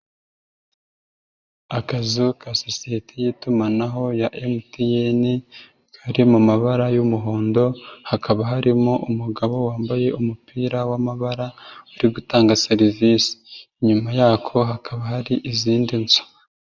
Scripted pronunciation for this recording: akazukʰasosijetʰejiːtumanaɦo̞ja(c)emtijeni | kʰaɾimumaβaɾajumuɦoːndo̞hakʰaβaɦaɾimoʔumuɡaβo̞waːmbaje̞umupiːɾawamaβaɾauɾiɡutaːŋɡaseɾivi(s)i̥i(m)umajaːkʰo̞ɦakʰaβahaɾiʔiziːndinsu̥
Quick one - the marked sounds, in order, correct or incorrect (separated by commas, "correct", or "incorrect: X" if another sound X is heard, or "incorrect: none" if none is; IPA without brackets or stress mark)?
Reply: incorrect: ʔ, correct, incorrect: ɲ